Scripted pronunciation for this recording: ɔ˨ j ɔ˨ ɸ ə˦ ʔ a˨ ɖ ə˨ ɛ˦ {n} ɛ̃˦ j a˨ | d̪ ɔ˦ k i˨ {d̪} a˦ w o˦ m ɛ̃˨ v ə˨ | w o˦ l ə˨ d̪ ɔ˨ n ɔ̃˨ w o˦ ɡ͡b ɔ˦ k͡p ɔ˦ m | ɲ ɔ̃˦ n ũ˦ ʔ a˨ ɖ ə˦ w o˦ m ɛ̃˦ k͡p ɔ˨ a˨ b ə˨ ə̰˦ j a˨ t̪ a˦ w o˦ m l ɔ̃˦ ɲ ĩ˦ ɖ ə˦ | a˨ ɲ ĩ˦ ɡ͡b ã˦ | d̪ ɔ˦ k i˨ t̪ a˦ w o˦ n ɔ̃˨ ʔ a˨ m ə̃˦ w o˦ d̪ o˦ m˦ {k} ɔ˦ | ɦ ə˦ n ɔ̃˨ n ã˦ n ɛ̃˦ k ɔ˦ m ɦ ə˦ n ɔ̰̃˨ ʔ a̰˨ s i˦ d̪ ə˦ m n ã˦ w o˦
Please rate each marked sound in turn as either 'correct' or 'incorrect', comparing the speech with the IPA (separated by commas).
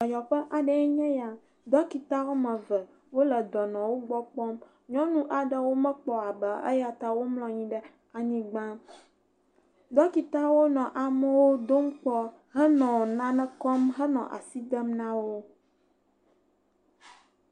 incorrect, incorrect, incorrect